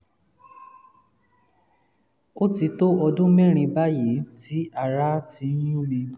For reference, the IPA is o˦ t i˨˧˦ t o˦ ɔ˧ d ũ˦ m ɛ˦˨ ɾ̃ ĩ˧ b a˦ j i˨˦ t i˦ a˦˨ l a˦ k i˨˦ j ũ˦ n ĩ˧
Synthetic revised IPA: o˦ t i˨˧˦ t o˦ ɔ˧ d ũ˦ m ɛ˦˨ ɾ̃ ĩ˧ b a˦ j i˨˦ t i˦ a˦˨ ɾ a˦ t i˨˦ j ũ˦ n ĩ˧